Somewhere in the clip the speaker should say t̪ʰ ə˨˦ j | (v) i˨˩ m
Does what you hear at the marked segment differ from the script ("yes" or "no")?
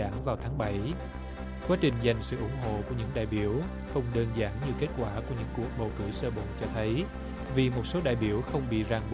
no